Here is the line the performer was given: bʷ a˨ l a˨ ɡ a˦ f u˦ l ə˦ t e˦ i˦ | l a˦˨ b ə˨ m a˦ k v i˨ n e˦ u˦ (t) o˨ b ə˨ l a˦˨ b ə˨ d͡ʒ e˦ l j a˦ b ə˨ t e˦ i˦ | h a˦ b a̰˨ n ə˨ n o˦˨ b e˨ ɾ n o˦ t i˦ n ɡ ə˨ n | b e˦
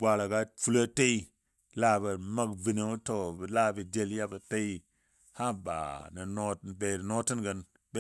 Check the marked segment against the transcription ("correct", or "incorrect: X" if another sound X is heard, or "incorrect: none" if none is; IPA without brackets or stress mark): correct